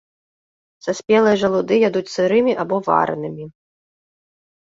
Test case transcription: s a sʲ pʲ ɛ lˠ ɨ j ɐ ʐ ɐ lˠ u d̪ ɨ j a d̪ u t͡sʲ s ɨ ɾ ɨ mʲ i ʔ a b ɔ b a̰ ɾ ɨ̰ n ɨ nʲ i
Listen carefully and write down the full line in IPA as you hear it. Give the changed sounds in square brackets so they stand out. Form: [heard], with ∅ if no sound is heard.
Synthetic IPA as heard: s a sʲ pʲ ɛ lˠ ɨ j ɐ ʐ ɐ lˠ u d̪ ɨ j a d̪ u t͡sʲ s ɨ ɾ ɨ mʲ i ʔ a b ɔ [v] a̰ ɾ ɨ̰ n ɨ [mʲ] i

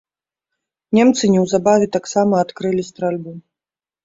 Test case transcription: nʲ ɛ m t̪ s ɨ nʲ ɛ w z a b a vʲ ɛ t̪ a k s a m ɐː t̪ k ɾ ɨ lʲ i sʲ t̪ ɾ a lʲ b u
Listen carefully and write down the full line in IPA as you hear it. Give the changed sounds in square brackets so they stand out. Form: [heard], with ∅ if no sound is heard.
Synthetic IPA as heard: nʲ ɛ m t̪ s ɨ nʲ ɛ w z a b a vʲ ɛ t̪ a k s a m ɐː t̪ k ɾ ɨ lʲ i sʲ t̪ ɾ a lʲ b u

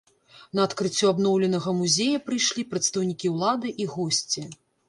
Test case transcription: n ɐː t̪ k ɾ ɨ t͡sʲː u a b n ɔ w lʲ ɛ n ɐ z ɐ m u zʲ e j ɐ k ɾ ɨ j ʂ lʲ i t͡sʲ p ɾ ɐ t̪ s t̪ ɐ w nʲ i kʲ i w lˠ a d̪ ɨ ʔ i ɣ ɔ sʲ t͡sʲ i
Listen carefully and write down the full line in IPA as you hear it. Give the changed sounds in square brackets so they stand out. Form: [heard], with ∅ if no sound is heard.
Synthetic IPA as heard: n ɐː t̪ k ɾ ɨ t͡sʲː u a b n ɔ w lʲ ɛ n ɐ [ɣ] ɐ m u zʲ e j ɐ [p] ɾ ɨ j ʂ lʲ i [∅] p ɾ ɐ t̪ s t̪ ɐ w nʲ i kʲ i w lˠ a d̪ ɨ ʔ i ɣ ɔ sʲ t͡sʲ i

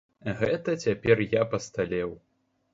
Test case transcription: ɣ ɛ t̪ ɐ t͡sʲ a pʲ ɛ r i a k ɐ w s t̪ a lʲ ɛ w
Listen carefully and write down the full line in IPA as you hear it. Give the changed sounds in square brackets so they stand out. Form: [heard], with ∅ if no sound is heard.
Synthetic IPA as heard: ɣ ɛ t̪ ɐ t͡sʲ a pʲ ɛ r [j] a [p] ɐ [∅] s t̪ a lʲ ɛ w

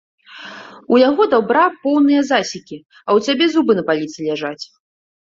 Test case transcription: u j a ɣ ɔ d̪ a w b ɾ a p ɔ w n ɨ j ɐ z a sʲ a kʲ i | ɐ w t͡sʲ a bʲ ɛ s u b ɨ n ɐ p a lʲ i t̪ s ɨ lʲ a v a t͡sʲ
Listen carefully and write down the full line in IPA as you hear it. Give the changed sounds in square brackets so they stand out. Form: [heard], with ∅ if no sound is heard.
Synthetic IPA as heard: u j a ɣ ɔ d̪ a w b ɾ a p ɔ w n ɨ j ɐ z a sʲ [i] kʲ i | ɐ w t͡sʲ a bʲ ɛ [z] u b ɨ n ɐ p a lʲ i t̪ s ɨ lʲ a [ʐ] a t͡sʲ

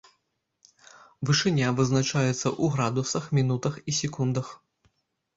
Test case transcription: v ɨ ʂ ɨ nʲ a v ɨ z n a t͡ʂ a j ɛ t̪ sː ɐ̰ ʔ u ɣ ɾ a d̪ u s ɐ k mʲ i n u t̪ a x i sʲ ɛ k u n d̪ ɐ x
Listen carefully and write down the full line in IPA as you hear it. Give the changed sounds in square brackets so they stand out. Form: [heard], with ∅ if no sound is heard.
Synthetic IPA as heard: v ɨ ʂ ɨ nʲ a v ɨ z n a t͡ʂ a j ɛ t̪ sː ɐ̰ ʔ u ɣ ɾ a d̪ u s ɐ [x] mʲ i n u t̪ [ɐ] x i sʲ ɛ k u n d̪ ɐ x

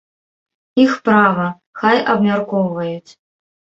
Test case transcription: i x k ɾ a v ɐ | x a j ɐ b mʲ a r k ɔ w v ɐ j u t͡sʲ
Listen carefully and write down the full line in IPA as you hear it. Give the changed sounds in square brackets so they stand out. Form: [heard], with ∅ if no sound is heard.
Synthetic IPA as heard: i x [p] ɾ a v ɐ | x a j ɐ b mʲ a r k ɔ w v ɐ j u t͡sʲ

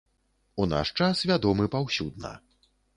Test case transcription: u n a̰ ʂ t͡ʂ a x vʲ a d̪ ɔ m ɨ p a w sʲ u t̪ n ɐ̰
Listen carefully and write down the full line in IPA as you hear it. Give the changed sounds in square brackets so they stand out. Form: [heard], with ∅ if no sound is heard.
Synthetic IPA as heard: u n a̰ ʂ t͡ʂ a [s] vʲ a d̪ ɔ m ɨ p a w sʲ u [d̪] n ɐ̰

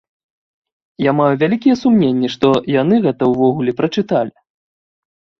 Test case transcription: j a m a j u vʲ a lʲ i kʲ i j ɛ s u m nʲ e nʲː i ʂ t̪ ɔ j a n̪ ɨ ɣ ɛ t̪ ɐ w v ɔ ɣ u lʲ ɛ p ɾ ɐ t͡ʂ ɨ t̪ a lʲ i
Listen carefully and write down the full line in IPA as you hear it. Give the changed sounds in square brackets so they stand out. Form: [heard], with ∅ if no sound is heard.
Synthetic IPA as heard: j a m a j u vʲ a lʲ i kʲ i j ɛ s u m nʲ e nʲː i ʂ t̪ ɔ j a n̪ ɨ ɣ ɛ t̪ ɐ w v ɔ ɣ u lʲ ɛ p ɾ ɐ t͡ʂ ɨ t̪ a lʲ i

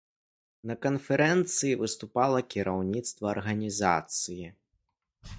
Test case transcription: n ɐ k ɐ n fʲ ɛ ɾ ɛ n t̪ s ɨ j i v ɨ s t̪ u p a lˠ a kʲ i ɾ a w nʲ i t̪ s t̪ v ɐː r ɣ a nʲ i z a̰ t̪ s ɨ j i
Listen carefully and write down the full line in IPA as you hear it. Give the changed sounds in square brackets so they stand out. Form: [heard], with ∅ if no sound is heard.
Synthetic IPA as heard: n ɐ k ɐ n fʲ ɛ ɾ ɛ n t̪ s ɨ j i v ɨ s t̪ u p a lˠ [ɐ] kʲ i ɾ a w nʲ i t̪ s t̪ v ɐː r ɣ [ɐ] nʲ i z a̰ t̪ s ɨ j i

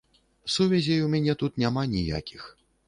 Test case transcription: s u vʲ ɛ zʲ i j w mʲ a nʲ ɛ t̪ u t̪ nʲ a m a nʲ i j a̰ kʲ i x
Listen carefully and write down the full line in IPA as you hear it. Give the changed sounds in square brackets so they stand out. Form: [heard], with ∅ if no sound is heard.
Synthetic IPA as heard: s u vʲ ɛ zʲ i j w mʲ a nʲ ɛ t̪ u t̪ nʲ a m a nʲ i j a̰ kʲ i x

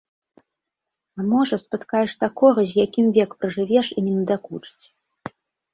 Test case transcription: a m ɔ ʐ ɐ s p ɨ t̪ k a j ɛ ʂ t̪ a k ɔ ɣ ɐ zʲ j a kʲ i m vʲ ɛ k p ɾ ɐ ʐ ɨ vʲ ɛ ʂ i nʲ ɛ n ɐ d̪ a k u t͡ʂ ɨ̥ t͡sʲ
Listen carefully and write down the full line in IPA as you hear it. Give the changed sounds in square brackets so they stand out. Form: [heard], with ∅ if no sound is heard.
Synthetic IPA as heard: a m ɔ ʐ ɐ s p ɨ t̪ k a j ɛ ʂ t̪ a k ɔ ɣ ɐ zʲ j a kʲ i m vʲ ɛ k p ɾ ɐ ʐ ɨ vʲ ɛ ʂ i nʲ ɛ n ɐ d̪ a k u t͡ʂ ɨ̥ t͡sʲ

